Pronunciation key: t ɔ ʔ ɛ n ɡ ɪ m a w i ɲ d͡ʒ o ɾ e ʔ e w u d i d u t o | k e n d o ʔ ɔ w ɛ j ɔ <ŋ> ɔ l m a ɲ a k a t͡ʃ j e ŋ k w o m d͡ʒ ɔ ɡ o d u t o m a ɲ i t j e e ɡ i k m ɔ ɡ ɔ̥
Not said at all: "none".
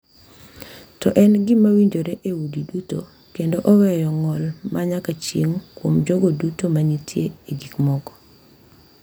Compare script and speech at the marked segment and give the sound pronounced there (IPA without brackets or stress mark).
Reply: ŋ